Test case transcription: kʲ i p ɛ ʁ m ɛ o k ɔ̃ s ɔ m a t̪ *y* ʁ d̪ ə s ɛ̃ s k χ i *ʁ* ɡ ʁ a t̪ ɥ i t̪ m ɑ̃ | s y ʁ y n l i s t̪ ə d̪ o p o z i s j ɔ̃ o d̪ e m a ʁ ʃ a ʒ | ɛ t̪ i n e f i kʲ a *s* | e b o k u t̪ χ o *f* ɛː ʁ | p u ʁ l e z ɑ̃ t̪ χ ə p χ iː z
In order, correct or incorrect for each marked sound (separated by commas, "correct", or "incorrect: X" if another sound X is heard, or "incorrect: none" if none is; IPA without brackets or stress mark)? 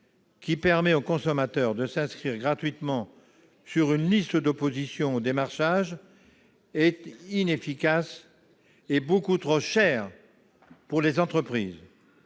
incorrect: œ, correct, correct, incorrect: ʃ